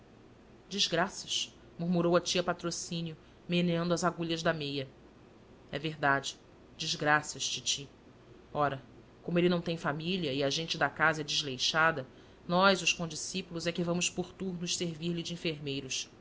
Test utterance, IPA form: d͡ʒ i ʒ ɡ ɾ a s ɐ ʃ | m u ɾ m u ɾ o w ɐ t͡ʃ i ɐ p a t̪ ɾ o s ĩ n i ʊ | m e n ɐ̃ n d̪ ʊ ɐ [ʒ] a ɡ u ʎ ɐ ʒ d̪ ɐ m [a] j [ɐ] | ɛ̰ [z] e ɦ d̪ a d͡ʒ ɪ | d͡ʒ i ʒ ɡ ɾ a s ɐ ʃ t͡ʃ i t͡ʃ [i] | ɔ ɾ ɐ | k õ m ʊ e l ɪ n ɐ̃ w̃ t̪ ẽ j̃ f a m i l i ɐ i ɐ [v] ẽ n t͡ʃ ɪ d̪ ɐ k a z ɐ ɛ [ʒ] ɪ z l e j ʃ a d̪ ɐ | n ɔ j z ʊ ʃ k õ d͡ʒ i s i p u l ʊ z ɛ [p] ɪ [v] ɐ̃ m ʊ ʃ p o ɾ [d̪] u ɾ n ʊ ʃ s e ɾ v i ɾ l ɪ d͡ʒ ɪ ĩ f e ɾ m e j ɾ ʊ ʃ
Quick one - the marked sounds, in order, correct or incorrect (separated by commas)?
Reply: incorrect, incorrect, correct, incorrect, correct, incorrect, incorrect, incorrect, correct, incorrect